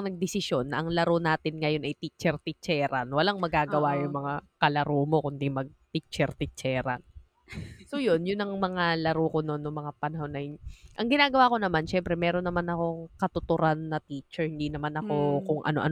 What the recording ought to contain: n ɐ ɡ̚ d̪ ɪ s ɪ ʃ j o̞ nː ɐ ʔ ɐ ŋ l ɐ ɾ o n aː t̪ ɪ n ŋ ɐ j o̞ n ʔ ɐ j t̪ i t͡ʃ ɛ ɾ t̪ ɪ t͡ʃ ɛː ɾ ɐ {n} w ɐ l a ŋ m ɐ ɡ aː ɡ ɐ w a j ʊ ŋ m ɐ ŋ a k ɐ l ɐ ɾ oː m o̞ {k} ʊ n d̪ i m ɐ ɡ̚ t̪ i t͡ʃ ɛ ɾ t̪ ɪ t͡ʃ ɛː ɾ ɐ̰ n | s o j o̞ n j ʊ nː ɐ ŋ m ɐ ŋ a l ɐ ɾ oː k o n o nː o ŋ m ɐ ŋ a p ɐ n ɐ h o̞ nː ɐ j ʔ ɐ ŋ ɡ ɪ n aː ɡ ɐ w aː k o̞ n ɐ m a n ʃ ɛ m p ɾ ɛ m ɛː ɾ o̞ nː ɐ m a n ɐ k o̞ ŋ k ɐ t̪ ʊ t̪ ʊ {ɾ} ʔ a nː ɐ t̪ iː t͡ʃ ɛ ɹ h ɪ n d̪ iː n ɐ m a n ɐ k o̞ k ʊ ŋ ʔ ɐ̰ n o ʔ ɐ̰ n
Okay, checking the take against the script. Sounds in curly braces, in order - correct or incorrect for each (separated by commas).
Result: correct, correct, correct